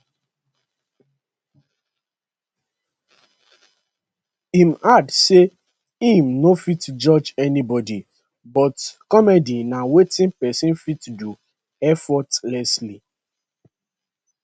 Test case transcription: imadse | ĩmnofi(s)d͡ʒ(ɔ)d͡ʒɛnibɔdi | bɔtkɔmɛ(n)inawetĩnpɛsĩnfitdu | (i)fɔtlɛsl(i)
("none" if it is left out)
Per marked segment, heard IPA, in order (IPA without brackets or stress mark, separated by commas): t, ɔ, d, ɛ, i